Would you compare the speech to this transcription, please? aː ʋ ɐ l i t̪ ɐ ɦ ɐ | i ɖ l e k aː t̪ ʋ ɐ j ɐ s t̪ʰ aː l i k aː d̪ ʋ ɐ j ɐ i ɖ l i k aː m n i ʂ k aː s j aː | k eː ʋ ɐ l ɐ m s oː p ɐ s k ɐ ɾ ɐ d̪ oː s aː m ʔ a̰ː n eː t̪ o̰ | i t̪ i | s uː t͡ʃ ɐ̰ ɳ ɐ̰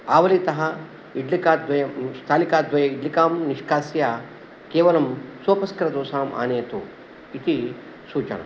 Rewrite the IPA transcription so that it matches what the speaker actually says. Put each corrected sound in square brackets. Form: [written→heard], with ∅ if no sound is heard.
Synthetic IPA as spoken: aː ʋ ɐ l i t̪ ɐ ɦ ɐ | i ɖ l [e→i] k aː [t̪→d̪] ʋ ɐ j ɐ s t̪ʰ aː l i k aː d̪ ʋ ɐ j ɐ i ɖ l i k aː m n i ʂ k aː s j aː | k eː ʋ ɐ l ɐ m s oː p ɐ s k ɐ ɾ ɐ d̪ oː s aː m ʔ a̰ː n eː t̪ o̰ | i t̪ i | s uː t͡ʃ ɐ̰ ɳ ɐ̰